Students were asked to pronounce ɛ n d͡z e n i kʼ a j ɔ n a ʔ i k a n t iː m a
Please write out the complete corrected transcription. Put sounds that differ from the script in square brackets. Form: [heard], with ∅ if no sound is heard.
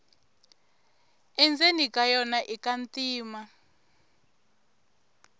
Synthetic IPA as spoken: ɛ n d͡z e n i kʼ a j ɔ n a ʔ i k a n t iː m a